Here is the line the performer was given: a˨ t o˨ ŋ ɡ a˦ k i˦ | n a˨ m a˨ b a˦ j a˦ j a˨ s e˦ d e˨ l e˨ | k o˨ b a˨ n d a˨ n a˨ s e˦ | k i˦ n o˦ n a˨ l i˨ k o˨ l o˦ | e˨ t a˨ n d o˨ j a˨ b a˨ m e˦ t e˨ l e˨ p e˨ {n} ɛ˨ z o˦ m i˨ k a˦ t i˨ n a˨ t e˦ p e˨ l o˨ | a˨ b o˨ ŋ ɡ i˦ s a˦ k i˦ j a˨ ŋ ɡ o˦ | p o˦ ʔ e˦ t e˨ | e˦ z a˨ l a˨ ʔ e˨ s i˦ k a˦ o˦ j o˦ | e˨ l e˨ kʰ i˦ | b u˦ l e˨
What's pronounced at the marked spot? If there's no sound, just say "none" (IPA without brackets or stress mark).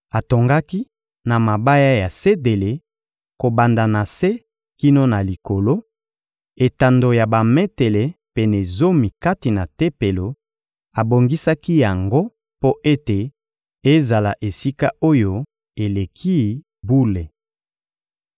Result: n